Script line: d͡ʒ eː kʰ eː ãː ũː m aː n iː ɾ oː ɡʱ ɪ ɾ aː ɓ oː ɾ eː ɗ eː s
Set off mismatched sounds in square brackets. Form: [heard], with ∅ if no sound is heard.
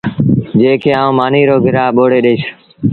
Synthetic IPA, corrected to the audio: d͡ʒ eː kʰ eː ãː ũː m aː n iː ɾ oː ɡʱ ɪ ɾ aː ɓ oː [ɽ] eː ɗ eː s